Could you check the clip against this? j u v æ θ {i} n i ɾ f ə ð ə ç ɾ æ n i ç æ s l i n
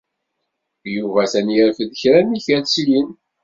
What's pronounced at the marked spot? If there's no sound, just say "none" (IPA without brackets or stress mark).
æ